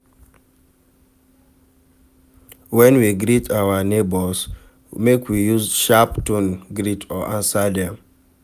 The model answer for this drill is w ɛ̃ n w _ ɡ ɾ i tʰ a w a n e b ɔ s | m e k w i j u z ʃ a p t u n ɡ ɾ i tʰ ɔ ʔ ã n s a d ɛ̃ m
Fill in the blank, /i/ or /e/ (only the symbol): i